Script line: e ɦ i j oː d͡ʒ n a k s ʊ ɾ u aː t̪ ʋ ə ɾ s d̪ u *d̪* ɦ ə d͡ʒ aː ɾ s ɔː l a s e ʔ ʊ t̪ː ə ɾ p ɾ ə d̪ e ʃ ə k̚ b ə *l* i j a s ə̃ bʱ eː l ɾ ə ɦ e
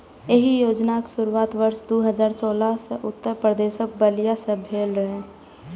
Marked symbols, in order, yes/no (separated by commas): no, yes